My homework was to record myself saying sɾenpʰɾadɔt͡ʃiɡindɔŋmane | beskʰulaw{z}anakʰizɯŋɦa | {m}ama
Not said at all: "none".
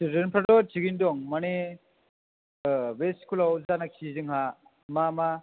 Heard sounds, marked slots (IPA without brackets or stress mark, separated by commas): z, m